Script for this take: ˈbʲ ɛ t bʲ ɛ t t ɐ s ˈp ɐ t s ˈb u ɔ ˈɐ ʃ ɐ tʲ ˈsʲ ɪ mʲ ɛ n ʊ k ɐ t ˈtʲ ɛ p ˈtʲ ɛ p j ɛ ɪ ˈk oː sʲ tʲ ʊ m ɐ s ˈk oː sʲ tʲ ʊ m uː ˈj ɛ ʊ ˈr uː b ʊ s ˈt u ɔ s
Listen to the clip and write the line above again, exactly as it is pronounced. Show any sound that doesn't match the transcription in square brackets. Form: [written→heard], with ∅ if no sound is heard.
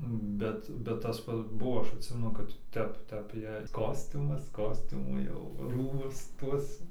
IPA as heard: ˈbʲ ɛ t bʲ ɛ t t ɐ s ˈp ɐ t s ˈb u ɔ ˈɐ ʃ ɐ tʲ ˈsʲ ɪ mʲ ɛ n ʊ k ɐ t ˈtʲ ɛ p ˈtʲ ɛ p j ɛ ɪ ˈk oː sʲ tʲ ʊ m ɐ s ˈk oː sʲ tʲ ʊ m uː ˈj ɛ ʊ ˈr uː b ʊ s ˈt u ɔ s